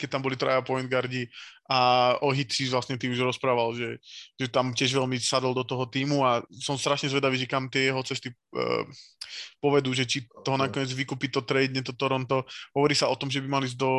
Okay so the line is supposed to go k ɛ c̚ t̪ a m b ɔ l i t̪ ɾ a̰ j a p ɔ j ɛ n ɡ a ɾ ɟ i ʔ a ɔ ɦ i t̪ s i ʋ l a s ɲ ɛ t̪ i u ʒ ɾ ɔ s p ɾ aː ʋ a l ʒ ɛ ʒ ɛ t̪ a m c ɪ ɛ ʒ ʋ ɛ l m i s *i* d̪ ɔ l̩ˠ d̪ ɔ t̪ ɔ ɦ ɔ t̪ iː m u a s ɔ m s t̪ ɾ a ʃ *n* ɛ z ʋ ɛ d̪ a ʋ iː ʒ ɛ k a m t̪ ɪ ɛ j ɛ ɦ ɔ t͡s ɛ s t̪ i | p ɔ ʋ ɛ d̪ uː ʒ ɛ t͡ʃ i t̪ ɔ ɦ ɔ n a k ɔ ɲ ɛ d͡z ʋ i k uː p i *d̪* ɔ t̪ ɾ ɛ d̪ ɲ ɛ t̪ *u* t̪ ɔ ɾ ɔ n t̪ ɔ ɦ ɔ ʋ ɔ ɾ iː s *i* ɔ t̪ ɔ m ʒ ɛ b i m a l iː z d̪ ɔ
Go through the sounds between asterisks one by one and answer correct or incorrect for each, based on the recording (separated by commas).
incorrect, incorrect, incorrect, incorrect, incorrect